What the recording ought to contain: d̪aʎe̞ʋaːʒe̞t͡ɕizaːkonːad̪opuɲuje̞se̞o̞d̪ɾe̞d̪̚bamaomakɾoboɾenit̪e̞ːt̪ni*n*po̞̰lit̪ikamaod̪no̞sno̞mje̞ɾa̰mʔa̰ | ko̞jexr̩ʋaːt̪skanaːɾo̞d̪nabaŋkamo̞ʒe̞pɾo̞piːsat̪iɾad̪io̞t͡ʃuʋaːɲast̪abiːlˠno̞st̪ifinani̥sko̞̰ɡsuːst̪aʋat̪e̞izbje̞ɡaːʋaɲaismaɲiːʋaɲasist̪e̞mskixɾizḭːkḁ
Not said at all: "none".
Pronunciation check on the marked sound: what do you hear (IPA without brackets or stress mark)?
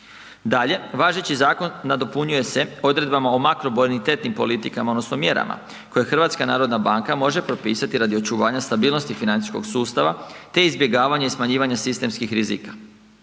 m